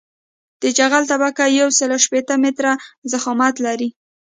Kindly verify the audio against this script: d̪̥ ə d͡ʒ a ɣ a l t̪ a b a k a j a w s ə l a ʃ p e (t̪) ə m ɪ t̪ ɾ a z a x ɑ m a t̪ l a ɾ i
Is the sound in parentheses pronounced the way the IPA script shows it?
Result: yes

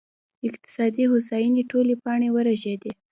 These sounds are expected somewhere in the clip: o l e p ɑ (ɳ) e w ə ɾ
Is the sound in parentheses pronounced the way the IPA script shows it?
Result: yes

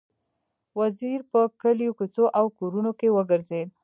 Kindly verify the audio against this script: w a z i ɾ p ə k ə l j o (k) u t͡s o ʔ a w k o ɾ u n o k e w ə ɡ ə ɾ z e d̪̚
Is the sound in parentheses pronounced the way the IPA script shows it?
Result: yes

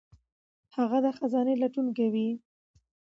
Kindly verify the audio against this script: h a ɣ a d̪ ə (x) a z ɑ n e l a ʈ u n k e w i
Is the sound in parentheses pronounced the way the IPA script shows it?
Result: yes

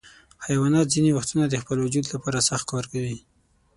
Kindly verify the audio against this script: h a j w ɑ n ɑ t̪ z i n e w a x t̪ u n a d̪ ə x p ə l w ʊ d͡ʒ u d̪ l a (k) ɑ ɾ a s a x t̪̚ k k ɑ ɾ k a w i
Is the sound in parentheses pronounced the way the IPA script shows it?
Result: no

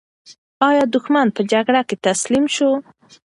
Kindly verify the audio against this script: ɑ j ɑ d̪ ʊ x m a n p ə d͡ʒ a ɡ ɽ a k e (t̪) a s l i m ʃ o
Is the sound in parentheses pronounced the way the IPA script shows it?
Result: yes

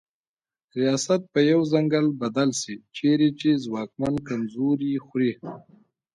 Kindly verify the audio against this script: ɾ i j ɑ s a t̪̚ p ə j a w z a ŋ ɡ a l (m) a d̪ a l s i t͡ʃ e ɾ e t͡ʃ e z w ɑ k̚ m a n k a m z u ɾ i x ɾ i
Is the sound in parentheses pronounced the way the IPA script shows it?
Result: no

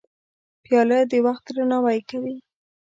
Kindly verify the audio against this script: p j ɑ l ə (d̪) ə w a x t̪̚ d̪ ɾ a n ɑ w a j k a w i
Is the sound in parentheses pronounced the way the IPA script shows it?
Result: yes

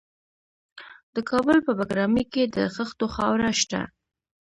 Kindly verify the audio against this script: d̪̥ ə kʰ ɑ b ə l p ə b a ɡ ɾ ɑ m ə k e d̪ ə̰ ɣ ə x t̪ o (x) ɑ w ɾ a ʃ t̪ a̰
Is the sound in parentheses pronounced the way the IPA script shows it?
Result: yes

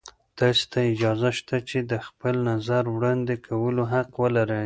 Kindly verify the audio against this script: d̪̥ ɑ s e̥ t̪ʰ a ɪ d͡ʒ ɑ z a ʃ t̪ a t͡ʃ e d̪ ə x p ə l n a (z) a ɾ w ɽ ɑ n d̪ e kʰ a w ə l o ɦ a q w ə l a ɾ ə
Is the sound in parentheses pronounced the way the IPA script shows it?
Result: yes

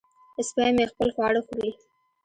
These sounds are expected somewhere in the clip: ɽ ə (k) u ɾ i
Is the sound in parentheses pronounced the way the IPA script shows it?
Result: no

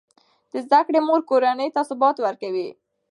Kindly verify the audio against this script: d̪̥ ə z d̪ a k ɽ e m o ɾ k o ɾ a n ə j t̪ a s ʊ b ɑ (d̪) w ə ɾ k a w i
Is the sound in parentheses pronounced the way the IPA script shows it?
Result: no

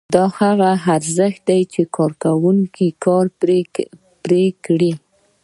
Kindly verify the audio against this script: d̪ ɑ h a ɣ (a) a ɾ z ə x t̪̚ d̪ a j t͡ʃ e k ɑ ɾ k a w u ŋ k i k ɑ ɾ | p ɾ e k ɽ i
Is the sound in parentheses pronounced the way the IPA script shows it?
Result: yes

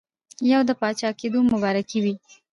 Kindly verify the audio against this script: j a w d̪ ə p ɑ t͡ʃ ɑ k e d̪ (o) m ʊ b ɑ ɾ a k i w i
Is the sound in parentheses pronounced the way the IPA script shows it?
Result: yes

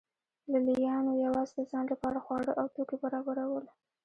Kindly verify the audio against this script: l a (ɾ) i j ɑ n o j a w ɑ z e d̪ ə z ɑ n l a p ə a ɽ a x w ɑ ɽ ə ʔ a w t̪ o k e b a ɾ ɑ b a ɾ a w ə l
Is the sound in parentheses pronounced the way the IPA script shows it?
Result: no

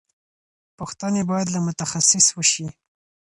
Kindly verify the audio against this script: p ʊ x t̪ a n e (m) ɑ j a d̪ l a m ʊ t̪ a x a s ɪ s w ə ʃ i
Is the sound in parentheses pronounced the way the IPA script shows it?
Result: no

